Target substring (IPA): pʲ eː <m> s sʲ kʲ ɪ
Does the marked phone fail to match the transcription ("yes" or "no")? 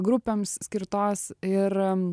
no